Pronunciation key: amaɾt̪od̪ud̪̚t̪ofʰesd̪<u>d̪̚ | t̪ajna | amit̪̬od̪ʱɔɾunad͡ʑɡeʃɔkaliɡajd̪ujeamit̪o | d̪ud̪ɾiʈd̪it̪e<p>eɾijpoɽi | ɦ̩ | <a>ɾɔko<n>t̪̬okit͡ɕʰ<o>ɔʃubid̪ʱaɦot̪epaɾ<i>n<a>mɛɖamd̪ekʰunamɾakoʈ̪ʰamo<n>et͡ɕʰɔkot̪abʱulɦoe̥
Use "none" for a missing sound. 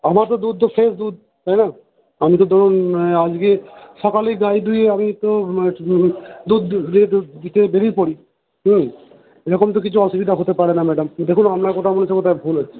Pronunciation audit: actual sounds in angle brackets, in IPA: u, b, e, m, u, e, a, n

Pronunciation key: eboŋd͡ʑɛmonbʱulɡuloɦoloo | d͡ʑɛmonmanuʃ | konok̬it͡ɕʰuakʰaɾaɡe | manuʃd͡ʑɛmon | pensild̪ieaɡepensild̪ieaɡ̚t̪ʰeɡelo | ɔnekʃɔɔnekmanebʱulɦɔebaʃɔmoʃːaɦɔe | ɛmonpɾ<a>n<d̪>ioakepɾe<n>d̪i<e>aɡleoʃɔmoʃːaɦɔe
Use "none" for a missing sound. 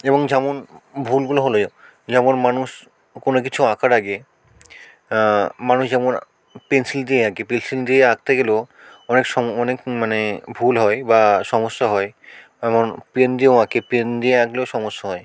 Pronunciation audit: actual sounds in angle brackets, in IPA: e, d̪, n, e

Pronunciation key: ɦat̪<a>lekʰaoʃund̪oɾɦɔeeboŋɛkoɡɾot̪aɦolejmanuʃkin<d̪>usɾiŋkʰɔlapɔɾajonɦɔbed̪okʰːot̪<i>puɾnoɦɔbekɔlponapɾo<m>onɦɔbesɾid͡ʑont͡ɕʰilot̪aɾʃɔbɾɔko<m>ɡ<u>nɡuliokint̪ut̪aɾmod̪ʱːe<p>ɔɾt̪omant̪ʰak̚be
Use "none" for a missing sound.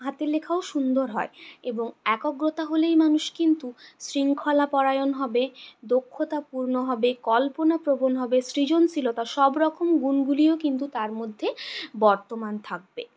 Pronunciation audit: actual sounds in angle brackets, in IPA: e, t̪, a, b, m, u, b

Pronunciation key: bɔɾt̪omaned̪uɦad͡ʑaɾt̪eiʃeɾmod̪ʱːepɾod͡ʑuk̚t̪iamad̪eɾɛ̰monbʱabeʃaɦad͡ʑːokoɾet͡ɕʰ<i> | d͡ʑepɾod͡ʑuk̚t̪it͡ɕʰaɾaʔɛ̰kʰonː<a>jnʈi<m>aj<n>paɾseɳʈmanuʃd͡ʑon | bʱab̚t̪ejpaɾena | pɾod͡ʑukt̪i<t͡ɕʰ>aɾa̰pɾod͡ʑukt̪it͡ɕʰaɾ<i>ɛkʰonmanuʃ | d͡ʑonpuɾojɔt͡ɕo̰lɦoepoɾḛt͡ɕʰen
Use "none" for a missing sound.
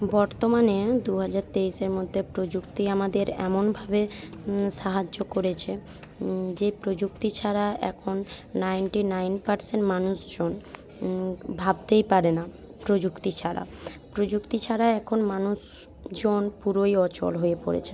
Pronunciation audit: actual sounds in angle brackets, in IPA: e, a, n, n, t͡ɕʰ, a

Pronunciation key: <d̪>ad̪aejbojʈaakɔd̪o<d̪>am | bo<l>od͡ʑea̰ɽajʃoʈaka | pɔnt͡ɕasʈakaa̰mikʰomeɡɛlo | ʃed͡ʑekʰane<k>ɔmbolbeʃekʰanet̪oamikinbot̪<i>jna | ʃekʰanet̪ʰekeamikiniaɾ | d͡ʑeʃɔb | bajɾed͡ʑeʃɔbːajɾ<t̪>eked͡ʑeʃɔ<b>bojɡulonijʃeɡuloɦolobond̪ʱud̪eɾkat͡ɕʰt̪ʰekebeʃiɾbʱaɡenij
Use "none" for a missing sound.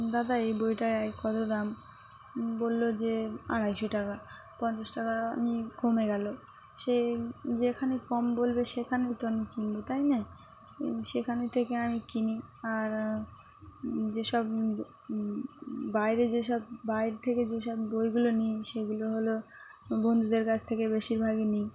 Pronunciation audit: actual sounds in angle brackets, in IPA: d̪, d̪, lː, k, a, t̪ʰ, b

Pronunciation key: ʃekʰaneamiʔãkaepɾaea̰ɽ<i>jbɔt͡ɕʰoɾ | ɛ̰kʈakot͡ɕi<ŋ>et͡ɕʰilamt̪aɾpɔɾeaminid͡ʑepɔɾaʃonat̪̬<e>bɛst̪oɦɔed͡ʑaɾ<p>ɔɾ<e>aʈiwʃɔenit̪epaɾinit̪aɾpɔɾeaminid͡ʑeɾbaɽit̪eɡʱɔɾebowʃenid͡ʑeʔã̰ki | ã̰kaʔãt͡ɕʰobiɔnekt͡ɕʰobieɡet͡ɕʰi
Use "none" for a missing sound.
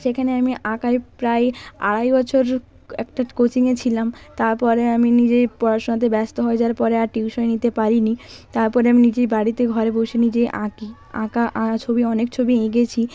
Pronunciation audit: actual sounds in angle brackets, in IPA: a, ŋ, e, p, e

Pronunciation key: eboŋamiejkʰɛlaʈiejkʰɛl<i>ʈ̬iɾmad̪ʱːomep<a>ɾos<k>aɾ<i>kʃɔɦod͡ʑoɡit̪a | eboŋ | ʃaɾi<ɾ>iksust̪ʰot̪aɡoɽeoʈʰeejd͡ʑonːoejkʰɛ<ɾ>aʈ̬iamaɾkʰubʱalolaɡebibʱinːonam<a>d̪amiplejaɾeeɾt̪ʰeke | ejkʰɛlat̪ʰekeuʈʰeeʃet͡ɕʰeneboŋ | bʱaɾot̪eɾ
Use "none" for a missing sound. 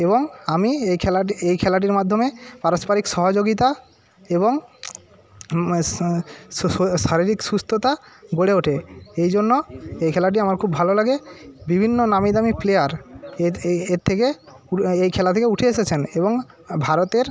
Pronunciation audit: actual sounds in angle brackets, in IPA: a, a, p, i, ɾ, l, i

